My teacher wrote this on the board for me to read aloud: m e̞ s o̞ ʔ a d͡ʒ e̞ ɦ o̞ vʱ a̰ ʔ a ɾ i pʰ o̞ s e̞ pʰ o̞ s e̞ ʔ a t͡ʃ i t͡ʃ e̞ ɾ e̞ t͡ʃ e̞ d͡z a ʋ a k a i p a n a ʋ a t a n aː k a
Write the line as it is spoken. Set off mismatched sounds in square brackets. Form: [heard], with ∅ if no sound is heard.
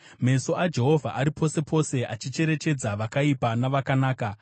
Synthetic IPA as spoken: m e̞ s o̞ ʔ a d͡ʒ e̞ ɦ o̞ vʱ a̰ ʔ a ɾ i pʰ o̞ s e̞ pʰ o̞ s e̞ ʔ a t͡ʃ i t͡ʃ e̞ ɾ e̞ t͡ʃ e̞ d͡z a ʋ a k a i p a n a ʋ a [k] a n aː k a